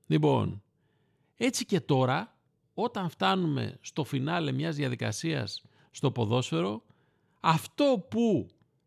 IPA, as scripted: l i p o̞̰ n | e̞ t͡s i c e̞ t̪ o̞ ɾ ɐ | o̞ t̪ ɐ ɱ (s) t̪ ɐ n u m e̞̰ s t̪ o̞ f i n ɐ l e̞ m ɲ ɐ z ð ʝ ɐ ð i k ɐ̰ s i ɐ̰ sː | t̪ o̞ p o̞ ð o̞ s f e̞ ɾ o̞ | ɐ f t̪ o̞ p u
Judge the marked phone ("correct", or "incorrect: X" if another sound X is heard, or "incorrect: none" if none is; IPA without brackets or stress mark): incorrect: f